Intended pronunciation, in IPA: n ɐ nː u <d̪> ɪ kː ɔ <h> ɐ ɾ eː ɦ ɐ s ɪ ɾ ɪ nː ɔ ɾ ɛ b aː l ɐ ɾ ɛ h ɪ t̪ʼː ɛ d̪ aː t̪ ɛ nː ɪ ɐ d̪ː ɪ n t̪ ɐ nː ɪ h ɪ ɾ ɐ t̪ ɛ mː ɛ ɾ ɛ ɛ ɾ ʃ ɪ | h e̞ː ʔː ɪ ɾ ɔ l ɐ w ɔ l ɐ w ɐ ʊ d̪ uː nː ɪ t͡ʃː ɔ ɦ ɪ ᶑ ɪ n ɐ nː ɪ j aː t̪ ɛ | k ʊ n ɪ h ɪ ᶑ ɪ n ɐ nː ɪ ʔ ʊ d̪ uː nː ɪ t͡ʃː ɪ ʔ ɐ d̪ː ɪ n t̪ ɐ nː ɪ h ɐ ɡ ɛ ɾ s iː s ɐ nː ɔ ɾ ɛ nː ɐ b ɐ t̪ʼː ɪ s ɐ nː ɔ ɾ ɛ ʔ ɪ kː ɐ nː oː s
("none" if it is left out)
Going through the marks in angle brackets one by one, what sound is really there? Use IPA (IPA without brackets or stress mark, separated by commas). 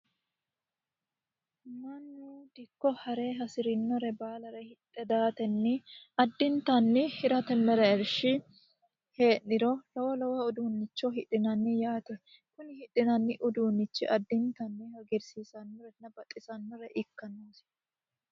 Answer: d̪, h